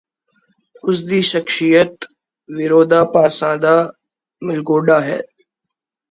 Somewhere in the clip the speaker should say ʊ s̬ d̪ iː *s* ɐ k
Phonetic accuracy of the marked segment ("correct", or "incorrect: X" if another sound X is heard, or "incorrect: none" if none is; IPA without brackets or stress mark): incorrect: ʃ